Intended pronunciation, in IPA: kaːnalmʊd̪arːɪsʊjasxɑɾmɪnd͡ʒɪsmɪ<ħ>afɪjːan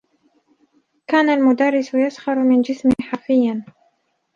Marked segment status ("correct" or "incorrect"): correct